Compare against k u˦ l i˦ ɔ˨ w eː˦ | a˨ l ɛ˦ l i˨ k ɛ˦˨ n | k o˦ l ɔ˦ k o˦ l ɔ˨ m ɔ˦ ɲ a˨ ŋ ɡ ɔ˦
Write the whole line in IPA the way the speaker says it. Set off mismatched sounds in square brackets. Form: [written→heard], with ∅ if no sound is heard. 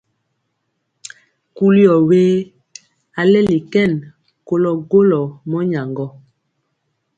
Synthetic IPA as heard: k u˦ l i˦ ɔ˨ w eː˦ | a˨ l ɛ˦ l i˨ k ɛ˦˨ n | k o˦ l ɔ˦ [k→ɡ] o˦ l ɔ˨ m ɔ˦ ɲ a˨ ŋ ɡ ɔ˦